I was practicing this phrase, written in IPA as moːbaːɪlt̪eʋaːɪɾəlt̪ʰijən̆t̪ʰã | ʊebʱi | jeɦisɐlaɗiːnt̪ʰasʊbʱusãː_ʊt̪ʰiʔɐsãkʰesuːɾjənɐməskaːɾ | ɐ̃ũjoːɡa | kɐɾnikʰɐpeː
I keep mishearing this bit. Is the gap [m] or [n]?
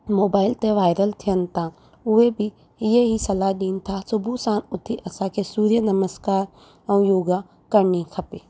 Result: n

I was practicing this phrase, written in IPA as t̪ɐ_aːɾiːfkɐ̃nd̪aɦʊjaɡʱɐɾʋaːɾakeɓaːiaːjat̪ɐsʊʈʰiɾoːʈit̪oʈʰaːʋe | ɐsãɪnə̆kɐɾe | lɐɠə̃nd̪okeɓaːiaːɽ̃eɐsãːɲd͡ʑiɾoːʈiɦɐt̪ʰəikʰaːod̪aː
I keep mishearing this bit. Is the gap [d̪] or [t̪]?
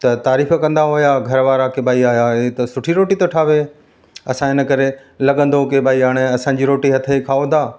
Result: t̪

